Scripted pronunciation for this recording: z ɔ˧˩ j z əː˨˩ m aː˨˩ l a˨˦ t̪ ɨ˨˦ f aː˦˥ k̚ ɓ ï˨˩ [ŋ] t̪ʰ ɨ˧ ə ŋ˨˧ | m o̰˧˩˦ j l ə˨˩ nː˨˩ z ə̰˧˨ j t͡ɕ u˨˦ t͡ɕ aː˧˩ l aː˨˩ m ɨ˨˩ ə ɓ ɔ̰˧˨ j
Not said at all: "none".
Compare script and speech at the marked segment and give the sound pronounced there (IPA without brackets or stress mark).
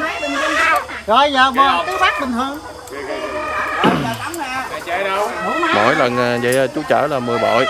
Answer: ŋ